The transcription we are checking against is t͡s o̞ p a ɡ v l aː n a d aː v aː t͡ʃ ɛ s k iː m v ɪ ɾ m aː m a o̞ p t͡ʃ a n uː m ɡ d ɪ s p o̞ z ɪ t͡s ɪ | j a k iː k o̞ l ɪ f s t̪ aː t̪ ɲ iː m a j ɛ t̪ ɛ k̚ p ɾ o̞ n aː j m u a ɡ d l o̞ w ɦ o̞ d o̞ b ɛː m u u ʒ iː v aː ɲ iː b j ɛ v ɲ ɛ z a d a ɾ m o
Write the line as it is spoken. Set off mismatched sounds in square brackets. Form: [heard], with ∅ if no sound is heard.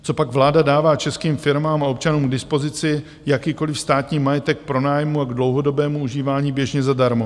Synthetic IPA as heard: t͡s o̞ p a ɡ v l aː [d] a d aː v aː t͡ʃ ɛ s k iː m [f] ɪ ɾ m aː m a o̞ p t͡ʃ a n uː m ɡ d ɪ s p o̞ z ɪ t͡s ɪ | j a k iː k o̞ l ɪ f s t̪ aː t̪ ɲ iː m a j ɛ t̪ ɛ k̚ p ɾ o̞ n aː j m u a ɡ d l o̞ w ɦ o̞ d o̞ b ɛː m u u ʒ iː v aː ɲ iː b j ɛ [ʒ] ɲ ɛ z a d a ɾ m o